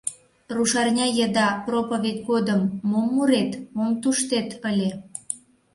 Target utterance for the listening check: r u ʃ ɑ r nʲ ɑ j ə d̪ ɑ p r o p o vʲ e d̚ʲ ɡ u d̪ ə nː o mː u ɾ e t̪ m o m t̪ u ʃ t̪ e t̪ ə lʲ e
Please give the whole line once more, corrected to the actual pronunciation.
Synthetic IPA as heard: r u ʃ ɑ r nʲ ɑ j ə d̪ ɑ p r o p o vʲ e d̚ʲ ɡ o d̪ ə mː o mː u ɾ e t̪ m o m t̪ u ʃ t̪ e t̪ ə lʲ e